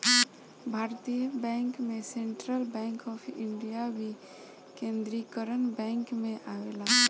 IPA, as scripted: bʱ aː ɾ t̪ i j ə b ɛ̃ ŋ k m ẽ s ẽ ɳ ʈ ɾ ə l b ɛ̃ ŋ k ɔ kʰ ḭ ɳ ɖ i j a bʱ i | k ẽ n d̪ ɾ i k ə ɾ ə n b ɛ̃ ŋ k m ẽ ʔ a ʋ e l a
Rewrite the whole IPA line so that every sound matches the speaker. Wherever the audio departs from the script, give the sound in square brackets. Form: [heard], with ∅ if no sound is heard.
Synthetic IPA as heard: bʱ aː ɾ t̪ i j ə b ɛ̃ ŋ k m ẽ s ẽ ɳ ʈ ɾ ə l b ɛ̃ ŋ k ɔ [pʰ] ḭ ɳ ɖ i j a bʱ i | k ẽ n d̪ ɾ i k ə ɾ ə n b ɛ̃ ŋ k m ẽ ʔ a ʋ e l a